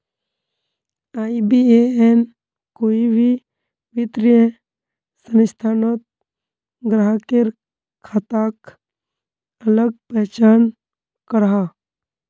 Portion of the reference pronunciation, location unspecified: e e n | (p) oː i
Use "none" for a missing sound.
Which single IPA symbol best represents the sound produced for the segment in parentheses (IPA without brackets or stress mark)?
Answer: k